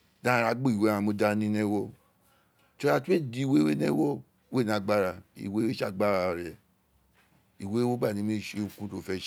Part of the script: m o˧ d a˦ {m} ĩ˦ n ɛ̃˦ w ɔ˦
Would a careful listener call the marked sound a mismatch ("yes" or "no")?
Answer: yes